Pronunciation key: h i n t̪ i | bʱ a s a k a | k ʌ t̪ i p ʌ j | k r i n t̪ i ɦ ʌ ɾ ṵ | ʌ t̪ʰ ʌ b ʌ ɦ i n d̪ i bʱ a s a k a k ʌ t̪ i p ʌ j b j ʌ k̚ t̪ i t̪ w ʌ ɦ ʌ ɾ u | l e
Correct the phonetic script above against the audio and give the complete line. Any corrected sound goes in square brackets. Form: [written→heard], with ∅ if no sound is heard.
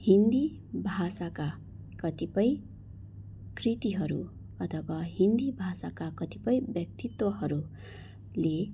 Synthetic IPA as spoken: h i n [t̪→d̪] i | bʱ a s a k a | k ʌ t̪ i p ʌ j | k r i [n→∅] t̪ i ɦ ʌ ɾ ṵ | ʌ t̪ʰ ʌ b ʌ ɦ i n d̪ i bʱ a s a k a k ʌ t̪ i p ʌ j b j ʌ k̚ t̪ i t̪ w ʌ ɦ ʌ ɾ u | l e